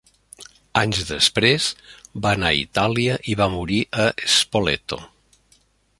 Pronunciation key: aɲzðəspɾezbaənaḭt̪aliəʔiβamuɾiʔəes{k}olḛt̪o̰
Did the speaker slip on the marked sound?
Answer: yes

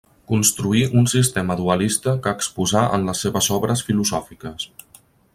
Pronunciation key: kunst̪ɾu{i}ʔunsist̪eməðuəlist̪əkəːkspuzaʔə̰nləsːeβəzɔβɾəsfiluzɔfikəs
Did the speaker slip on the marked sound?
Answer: no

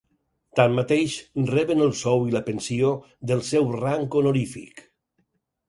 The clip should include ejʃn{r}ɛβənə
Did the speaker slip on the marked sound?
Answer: no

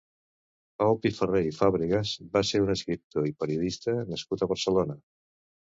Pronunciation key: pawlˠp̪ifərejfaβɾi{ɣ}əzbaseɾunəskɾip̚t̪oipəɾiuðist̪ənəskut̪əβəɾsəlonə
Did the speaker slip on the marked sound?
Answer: no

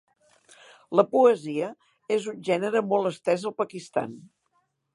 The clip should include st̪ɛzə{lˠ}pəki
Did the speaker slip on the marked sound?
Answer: no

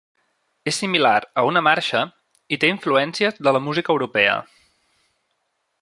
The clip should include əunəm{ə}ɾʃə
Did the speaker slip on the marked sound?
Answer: yes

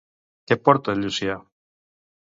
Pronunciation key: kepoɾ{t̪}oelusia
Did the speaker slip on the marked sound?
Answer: no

